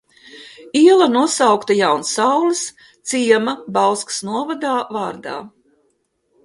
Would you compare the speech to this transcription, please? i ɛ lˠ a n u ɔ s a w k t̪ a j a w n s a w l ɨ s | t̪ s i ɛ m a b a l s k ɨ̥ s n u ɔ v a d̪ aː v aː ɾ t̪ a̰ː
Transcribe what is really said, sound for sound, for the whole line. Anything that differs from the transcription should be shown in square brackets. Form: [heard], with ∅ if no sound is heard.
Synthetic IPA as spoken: i ɛ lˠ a n u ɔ s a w k t̪ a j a w n s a w l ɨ s | t̪ s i ɛ m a b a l s k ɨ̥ s n u ɔ v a d̪ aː v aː ɾ [d̪] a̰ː